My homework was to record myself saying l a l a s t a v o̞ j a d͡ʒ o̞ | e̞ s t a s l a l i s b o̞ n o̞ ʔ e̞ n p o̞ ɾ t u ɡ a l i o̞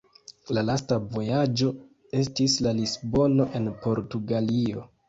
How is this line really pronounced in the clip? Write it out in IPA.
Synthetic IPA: l a l a s t a v o̞ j a d͡ʒ o̞ | e̞ s t i s l a l i s b o̞ n o̞ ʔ e̞ n p o̞ ɾ t u ɡ a l i o̞